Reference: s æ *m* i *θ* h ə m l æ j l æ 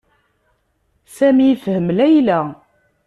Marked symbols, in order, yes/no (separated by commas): yes, no